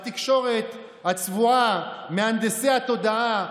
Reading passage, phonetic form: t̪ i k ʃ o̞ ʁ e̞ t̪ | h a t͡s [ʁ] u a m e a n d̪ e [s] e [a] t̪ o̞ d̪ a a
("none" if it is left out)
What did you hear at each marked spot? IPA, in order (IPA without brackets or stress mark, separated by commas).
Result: v, s, a